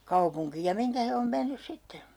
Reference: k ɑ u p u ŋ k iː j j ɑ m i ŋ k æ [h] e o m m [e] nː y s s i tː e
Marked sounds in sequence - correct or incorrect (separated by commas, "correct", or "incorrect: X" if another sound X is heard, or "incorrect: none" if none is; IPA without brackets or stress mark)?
correct, correct